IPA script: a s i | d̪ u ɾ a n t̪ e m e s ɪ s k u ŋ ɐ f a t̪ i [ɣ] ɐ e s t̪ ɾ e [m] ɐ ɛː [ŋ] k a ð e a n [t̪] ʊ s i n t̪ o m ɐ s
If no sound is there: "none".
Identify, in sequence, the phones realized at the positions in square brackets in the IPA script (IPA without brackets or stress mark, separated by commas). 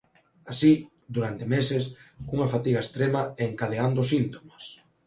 ɣ, m, ŋ, d̪